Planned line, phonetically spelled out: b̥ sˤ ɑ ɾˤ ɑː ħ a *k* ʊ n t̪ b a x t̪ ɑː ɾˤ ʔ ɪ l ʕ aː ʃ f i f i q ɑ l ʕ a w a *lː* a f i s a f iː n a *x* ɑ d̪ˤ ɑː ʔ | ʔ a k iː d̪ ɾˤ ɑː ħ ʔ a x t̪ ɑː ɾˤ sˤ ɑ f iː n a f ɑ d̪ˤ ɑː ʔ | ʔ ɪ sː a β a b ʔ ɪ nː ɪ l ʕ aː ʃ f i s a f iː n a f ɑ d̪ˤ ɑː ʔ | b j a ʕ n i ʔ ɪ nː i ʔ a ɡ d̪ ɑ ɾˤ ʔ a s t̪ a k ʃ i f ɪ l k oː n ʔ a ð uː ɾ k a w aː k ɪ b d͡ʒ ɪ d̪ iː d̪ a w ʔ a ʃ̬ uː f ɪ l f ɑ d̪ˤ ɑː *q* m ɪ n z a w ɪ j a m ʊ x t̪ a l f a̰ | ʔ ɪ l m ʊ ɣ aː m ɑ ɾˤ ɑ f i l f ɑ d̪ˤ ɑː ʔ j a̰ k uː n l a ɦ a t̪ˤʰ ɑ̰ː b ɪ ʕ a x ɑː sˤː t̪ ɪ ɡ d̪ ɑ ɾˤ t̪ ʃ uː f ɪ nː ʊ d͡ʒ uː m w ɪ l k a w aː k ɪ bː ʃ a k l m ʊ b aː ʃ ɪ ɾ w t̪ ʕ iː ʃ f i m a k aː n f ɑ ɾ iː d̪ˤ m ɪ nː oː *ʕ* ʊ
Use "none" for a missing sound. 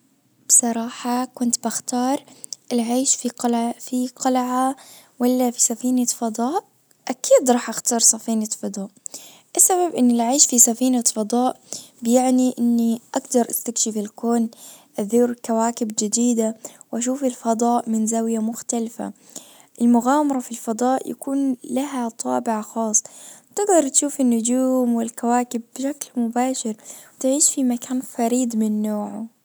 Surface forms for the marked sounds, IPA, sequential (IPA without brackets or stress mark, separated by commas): k, lː, f, ʔ, ʕ